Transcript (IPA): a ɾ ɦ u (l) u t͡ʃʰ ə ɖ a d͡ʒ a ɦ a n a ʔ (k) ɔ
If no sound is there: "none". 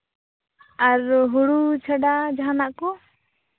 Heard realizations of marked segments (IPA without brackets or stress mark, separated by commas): ɽ, k